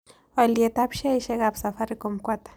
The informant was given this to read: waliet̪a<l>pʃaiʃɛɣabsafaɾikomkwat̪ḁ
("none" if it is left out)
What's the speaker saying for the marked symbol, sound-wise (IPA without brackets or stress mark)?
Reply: none